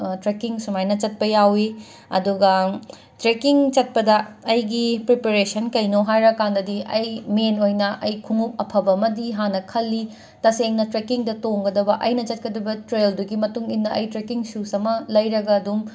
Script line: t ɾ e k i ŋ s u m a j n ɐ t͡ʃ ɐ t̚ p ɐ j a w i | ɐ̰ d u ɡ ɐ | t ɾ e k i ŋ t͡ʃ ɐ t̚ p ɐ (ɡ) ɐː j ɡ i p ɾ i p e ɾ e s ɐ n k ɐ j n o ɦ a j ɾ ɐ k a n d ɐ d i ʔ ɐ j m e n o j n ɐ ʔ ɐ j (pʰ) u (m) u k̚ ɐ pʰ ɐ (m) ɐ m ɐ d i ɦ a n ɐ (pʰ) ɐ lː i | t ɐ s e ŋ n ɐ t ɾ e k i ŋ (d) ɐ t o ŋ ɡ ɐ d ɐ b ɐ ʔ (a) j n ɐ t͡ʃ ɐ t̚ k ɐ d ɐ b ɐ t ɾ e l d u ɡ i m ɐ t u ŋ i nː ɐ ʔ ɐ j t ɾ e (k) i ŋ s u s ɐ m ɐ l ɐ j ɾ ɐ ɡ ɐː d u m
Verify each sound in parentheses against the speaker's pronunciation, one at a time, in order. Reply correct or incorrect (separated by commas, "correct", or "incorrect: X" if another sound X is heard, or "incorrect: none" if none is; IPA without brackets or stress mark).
incorrect: d, incorrect: kʰ, incorrect: ŋ, incorrect: b, incorrect: kʰ, correct, incorrect: ɐ, correct